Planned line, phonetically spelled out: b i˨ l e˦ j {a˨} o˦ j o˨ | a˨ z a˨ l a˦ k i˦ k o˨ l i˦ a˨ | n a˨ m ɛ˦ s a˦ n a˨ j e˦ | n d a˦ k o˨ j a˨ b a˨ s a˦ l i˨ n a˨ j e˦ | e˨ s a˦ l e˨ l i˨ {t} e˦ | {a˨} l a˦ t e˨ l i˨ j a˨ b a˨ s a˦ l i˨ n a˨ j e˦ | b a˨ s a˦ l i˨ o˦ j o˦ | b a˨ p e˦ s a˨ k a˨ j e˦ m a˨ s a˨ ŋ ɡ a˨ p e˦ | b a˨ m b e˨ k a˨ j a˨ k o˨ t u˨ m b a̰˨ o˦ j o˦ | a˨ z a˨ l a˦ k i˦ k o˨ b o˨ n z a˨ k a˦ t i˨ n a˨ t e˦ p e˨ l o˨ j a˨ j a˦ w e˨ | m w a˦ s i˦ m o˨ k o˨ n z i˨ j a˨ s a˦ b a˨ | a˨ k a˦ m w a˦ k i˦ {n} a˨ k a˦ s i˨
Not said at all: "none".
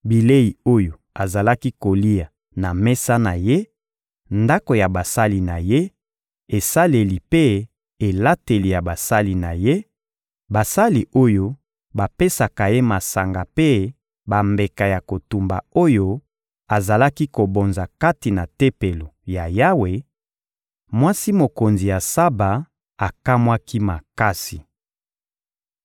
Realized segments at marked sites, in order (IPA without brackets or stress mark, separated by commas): i˨, p, e˨, m